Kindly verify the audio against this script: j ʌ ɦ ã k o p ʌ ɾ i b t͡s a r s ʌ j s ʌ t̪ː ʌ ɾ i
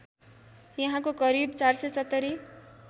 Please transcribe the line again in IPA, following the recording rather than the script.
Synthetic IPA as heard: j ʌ ɦ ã k o k ʌ ɾ i b t͡s a r s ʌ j s ʌ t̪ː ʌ ɾ i

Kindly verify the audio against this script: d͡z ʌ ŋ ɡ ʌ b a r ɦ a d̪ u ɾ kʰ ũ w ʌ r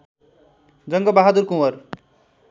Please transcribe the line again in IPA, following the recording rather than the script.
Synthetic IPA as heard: d͡z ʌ ŋ ɡ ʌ b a ɦ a d̪ u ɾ k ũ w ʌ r

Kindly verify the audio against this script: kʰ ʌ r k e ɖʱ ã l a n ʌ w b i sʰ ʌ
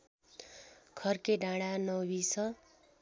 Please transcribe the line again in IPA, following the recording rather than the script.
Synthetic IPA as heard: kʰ ʌ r k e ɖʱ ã ɽ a n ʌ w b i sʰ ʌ

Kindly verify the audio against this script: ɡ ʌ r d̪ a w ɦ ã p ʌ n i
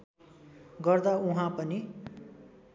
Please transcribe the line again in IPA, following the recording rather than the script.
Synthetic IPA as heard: ɡ ʌ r d̪ a u ɦ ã p ʌ n i

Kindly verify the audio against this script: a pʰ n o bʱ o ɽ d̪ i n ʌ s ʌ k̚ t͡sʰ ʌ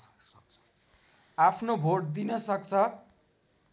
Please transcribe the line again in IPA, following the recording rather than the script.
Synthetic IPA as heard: a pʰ n o bʱ o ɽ d̪ i n ʌ s ʌ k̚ t͡sʰ ʌ

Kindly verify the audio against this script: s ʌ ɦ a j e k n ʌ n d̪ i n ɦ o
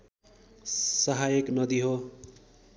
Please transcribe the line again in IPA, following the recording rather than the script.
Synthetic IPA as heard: s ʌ ɦ a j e k n ʌ d̪ i ɦ o

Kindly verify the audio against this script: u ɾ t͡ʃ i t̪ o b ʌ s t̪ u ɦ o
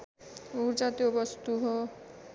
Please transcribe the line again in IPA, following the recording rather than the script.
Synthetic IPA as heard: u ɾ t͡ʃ a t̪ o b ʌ s t̪ u ɦ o

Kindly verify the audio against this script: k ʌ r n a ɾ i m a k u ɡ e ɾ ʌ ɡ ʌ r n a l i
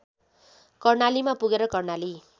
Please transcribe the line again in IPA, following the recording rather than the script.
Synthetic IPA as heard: k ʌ r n a l i m a p u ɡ e ɾ ʌ k ʌ r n a l i

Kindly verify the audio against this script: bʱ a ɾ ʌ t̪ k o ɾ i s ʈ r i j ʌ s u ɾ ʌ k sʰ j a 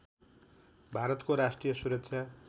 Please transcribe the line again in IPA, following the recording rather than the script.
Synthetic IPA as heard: bʱ a ɾ ʌ t̪ k o ɾ a s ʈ r i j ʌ s u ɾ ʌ k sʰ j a

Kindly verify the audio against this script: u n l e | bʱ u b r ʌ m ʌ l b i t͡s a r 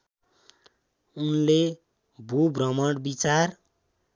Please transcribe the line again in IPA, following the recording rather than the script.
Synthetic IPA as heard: u n l e | bʱ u b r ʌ m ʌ ɽ b i t͡s a r

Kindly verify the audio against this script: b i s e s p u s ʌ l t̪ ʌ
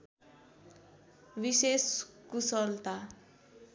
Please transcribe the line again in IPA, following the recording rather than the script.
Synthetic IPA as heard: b i s e s k u s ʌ l t̪ a

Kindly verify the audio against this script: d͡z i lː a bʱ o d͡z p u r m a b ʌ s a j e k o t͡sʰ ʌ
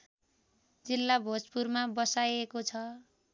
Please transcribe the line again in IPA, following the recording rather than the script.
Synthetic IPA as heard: d͡z i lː a bʱ o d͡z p u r m a b ʌ s a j e k o t͡sʰ ʌ

